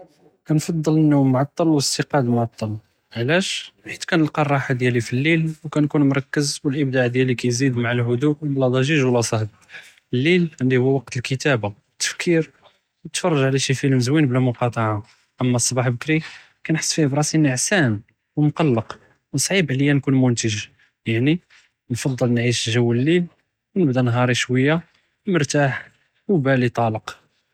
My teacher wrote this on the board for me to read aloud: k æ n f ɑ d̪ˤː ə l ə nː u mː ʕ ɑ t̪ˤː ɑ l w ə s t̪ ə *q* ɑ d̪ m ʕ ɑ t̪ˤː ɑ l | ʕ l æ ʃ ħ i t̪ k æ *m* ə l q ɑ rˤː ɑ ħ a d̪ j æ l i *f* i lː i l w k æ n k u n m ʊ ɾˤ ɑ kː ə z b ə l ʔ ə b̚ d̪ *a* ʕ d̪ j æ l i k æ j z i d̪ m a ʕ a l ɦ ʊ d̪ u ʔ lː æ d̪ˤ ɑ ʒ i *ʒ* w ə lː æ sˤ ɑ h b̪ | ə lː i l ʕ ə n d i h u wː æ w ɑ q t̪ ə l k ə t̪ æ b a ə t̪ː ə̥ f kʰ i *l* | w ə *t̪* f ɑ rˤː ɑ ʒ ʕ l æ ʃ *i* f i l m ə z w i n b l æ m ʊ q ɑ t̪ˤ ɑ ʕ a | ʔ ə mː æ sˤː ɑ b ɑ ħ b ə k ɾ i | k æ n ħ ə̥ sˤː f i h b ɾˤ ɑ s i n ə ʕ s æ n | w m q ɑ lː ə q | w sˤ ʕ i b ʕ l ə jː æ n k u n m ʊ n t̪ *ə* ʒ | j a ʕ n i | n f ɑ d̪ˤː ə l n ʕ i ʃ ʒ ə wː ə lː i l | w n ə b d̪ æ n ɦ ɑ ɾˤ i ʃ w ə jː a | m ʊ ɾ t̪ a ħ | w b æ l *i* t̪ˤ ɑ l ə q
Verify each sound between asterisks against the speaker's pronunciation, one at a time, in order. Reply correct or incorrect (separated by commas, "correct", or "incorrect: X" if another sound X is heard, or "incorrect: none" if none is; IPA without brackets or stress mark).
correct, incorrect: n, correct, correct, correct, incorrect: ɾ, correct, correct, correct, correct